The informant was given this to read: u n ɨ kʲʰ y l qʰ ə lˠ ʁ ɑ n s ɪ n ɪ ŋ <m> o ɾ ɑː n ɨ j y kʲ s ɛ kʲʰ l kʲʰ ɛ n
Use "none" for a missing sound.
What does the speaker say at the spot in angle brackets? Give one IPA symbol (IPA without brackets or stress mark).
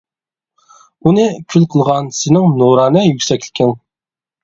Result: n